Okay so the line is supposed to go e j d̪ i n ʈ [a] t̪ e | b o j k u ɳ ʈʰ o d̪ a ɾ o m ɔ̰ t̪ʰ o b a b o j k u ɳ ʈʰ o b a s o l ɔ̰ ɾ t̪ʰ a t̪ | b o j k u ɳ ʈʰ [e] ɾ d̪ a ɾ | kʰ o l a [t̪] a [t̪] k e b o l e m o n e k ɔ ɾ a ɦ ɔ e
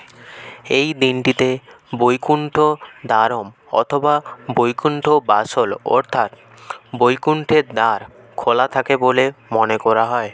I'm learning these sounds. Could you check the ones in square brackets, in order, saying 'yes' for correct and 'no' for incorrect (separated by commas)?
no, yes, no, no